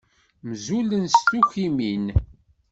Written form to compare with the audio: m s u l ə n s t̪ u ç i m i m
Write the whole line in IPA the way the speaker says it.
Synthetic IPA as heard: m z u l ə n s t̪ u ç i m i n